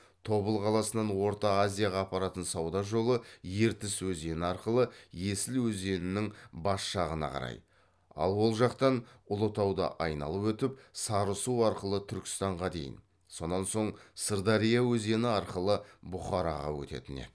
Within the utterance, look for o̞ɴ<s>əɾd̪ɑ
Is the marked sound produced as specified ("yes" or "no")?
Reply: yes